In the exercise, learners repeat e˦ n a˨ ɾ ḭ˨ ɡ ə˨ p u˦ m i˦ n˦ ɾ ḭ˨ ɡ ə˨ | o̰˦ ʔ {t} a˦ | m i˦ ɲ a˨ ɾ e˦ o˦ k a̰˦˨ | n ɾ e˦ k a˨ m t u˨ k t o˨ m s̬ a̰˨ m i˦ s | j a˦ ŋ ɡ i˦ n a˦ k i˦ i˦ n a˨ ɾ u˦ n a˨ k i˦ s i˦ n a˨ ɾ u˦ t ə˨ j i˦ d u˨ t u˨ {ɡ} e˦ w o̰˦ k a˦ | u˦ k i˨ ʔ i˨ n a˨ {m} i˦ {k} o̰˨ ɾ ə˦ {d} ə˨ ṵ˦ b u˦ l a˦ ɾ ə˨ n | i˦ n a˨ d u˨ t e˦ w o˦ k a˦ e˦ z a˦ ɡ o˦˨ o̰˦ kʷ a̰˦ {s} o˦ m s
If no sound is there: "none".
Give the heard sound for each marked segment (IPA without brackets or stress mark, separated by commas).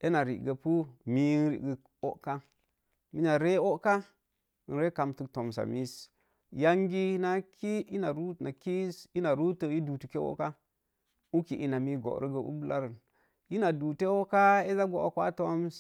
k, k, m, ɡ, ɡ, t